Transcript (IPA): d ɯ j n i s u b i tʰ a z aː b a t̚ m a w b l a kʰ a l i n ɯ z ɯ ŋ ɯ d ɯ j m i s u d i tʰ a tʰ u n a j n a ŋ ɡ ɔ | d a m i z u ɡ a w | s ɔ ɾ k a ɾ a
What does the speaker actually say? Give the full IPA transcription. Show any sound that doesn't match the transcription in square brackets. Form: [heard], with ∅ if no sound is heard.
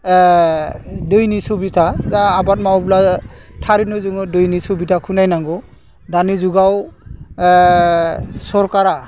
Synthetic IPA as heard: d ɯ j n i s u b i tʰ a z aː b a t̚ m a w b l a [tʰ] a [ɾ] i n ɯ z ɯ ŋ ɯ d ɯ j [n] i s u [b] i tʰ a [kʰ] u n a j n a ŋ ɡ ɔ | d a [n] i z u ɡ a w | s ɔ ɾ k a ɾ a